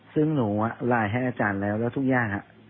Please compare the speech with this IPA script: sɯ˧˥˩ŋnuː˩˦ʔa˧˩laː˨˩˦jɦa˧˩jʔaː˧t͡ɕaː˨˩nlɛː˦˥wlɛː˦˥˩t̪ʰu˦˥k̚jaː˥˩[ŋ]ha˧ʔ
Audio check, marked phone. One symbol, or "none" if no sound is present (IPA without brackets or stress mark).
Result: ŋ